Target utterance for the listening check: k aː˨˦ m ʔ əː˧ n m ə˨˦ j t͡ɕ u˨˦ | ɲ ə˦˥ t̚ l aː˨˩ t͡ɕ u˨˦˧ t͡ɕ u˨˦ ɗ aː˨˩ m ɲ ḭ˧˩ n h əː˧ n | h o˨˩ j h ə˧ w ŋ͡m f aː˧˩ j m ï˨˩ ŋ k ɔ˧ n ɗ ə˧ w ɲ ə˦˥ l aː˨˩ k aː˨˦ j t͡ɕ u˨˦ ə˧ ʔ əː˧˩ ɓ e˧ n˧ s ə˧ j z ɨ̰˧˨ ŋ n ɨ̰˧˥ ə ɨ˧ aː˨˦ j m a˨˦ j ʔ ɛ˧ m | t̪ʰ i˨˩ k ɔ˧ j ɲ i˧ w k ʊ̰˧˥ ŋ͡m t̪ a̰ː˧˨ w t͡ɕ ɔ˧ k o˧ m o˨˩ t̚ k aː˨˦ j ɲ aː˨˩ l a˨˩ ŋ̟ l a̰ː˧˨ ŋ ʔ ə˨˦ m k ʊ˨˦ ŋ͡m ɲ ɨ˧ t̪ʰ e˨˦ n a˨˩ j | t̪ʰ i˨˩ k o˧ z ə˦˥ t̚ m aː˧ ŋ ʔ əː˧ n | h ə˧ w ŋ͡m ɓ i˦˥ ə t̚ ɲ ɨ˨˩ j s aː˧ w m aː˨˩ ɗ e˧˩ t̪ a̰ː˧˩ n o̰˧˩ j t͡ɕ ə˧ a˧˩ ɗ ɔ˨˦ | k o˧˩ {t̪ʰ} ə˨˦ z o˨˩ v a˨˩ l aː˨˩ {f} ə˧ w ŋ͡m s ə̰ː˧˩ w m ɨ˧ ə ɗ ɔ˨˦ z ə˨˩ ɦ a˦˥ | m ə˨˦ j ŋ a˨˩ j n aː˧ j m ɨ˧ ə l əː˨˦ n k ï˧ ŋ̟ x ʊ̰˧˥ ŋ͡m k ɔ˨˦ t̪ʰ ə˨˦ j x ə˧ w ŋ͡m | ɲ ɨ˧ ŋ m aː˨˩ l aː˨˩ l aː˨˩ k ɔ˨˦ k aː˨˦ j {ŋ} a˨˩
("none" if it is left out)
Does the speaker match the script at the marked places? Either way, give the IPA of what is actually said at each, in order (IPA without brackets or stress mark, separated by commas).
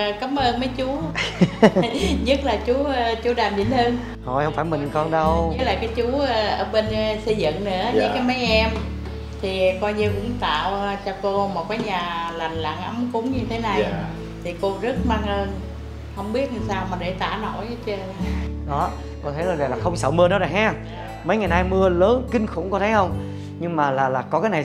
t̪ʰ, x, n